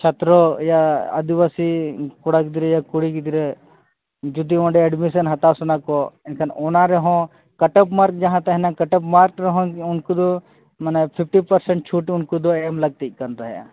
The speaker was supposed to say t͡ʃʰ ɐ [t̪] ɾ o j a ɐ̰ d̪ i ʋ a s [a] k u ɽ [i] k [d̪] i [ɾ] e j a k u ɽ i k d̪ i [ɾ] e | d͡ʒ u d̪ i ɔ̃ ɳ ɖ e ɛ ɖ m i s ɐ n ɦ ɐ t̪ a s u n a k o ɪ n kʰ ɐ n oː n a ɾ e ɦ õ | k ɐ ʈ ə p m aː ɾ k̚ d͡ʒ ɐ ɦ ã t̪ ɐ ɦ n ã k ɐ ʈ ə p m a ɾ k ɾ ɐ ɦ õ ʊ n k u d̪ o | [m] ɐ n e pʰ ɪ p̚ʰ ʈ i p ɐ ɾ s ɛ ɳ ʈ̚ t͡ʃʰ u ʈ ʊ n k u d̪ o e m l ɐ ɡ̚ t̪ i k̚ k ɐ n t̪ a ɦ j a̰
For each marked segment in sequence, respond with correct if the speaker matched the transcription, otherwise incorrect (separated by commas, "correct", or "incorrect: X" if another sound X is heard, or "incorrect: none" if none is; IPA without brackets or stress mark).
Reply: correct, incorrect: i, incorrect: a, correct, correct, correct, correct